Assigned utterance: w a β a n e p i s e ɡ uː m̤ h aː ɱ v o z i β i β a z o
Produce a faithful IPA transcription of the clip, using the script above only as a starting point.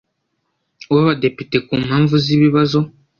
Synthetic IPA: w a β a d e p i t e k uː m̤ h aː ɱ v u z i β i β a z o